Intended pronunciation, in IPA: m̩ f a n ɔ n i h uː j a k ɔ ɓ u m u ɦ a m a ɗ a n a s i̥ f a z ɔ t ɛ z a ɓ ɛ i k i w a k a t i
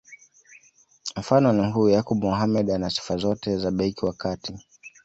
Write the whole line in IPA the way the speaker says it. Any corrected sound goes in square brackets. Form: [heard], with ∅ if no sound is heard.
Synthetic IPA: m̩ f a n ɔ n i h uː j a k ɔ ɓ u m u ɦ a m [ɛ] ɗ a n a s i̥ f a z ɔ t ɛ z a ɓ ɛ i k i w a k a t i